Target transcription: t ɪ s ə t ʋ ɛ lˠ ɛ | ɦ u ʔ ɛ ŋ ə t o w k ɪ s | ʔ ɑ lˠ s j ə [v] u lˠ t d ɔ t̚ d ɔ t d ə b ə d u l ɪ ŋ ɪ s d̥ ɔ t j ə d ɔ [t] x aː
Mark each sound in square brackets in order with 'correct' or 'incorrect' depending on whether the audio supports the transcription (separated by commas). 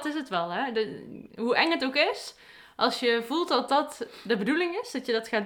correct, correct